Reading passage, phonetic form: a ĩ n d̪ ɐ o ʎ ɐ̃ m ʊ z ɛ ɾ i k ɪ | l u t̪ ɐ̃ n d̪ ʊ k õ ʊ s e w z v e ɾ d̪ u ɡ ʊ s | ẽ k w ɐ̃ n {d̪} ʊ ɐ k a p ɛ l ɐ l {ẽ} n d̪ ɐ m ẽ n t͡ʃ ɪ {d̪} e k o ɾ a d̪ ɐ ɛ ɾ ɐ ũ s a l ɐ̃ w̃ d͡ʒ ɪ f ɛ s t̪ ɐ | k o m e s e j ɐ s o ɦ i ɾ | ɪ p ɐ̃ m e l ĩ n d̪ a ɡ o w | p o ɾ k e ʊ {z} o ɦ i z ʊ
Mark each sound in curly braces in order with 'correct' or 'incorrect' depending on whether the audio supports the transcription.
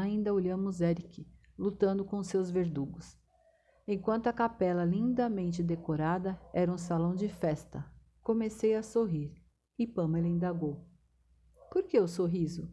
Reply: incorrect: t̪, incorrect: ĩ, correct, incorrect: s

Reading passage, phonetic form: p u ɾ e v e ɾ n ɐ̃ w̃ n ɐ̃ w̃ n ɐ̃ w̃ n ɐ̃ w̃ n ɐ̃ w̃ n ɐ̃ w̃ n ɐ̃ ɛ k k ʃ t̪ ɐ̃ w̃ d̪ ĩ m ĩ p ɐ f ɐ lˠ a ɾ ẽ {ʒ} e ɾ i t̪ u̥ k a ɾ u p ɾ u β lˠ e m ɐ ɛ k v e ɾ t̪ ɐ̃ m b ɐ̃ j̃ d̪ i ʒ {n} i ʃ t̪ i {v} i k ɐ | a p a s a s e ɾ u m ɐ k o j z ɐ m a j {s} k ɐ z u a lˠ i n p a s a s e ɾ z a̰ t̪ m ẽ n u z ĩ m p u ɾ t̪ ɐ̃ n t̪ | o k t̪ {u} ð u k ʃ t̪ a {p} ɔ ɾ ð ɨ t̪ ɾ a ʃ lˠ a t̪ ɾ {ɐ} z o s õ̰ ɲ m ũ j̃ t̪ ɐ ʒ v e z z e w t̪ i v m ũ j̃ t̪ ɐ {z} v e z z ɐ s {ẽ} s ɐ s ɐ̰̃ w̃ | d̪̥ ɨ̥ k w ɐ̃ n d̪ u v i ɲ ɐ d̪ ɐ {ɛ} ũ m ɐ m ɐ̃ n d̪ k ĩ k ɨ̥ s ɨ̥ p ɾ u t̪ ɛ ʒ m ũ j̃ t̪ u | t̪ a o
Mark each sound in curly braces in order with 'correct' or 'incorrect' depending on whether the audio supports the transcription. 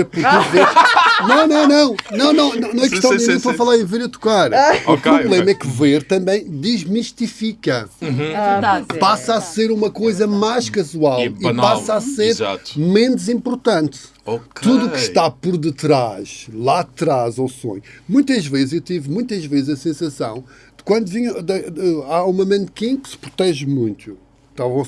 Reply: incorrect: v, incorrect: m, incorrect: f, incorrect: ʃ, correct, correct, incorrect: a, incorrect: ʒ, correct, incorrect: a

